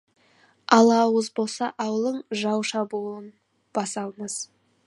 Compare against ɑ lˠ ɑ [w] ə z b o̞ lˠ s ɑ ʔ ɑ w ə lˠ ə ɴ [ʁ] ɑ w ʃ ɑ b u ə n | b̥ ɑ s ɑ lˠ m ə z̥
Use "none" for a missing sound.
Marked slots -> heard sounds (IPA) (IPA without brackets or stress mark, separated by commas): w, ʒ